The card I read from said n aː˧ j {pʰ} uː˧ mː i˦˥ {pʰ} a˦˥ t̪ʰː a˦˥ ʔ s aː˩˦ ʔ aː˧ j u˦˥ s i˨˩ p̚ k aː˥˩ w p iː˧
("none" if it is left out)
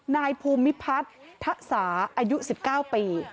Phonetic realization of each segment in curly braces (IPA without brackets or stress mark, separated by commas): pʰ, pʰ